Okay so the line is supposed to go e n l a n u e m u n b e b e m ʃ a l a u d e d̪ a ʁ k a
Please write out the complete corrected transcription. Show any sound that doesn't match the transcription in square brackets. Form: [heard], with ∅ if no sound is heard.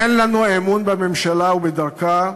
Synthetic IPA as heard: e n l a n u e m u n b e [m] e m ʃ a l a u [b] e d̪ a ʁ k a

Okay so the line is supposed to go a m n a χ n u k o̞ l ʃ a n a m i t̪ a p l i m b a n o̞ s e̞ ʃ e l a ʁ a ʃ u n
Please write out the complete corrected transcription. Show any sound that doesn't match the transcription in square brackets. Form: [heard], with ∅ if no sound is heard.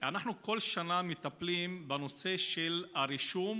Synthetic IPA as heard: a [∅] n a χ n u k o̞ l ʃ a n a m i t̪ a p l i m b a n o̞ s e̞ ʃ e l a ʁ [i] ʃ u [m]

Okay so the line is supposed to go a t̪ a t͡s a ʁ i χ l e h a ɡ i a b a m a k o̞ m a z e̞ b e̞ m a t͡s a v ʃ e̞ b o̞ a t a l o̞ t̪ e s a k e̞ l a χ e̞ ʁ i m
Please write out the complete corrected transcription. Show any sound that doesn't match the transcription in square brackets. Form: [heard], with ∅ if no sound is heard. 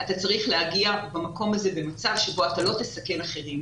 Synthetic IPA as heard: a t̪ a t͡s a ʁ i χ l e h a ɡ i a b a m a k o̞ m a z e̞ b e̞ m a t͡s a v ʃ e̞ b o̞ a t a l o̞ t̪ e s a k e̞ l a χ e̞ ʁ i m

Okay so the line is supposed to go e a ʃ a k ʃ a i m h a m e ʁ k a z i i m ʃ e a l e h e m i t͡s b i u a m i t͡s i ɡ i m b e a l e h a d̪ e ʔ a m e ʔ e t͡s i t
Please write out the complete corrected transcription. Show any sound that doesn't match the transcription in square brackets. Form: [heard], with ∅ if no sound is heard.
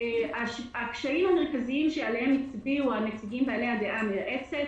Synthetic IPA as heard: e a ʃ a k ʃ a i m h a m e ʁ k a z i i m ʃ e a l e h e m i t͡s b i u a m [e] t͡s i ɡ i m b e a l e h a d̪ e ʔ a m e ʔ e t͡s [e] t

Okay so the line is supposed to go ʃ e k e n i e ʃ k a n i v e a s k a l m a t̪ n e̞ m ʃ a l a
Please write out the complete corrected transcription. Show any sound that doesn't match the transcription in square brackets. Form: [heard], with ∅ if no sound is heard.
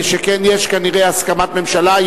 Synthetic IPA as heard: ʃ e k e n [j] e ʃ k a n i [ʁ] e a s k a [∅] m a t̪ [m] e̞ m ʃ a l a

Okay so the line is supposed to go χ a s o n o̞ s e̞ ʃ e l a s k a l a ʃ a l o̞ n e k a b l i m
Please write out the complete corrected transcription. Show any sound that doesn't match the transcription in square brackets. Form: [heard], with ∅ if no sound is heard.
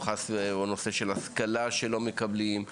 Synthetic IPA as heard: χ a s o n o̞ s e̞ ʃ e l a s k a l a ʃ [e] l o̞ [m] e k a b l i m

